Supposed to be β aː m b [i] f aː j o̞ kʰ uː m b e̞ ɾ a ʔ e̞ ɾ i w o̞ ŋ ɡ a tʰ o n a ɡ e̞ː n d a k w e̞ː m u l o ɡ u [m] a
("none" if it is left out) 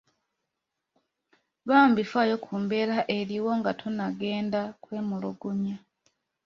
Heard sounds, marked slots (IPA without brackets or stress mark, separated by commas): i, ɲ